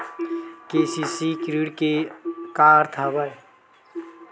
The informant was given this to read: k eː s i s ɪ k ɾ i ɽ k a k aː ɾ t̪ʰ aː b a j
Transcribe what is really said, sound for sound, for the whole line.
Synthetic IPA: k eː s i s i k ɾ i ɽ k e k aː ɾ t̪ʰ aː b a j